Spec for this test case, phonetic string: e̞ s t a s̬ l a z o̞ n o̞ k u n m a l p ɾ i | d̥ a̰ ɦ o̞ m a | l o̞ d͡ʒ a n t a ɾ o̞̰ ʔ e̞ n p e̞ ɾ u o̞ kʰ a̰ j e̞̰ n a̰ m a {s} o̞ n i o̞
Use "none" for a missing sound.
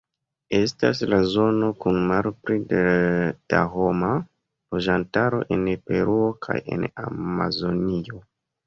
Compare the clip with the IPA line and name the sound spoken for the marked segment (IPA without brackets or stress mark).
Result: z